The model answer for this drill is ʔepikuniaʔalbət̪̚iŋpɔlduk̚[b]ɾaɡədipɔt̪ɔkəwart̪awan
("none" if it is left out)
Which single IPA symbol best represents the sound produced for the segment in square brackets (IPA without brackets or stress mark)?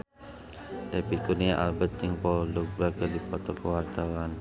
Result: b